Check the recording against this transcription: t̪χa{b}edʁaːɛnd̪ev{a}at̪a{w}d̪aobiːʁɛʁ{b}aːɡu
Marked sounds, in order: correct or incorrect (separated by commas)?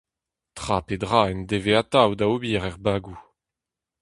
incorrect, incorrect, correct, correct